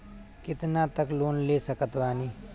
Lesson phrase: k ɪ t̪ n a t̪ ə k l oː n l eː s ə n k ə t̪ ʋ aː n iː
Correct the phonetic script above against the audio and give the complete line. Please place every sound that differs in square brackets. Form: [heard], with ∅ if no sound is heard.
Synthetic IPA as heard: k ɪ t̪ n a t̪ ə k l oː n l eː s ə [∅] k ə t̪ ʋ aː n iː